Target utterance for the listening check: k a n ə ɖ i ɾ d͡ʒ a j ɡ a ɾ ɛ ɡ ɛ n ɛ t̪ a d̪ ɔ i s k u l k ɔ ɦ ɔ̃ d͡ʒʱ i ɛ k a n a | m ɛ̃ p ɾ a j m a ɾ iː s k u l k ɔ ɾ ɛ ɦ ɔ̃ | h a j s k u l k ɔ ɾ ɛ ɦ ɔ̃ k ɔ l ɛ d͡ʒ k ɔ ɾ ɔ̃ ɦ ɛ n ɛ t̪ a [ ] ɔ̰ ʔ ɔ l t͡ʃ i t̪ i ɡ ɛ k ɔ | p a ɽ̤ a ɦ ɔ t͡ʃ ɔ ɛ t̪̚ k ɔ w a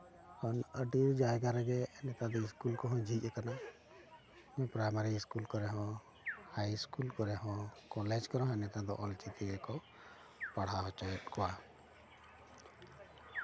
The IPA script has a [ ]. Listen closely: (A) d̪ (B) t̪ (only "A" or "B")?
A